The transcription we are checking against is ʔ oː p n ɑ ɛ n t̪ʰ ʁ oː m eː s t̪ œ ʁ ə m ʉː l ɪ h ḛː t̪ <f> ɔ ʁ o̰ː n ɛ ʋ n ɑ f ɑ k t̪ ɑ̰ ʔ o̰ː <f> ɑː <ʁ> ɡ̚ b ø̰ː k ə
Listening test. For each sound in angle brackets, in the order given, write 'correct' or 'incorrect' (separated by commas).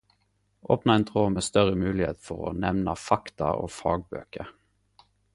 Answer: correct, correct, incorrect